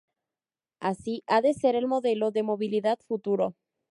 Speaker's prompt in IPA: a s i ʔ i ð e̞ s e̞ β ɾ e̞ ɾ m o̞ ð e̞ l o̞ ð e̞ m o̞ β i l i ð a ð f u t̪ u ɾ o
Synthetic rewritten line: a s i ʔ a ð e̞ s e̞ ɾ e̞ l m o̞ ð e̞ l o̞ ð e̞ m o̞ β i l i ð a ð f u t̪ u ɾ o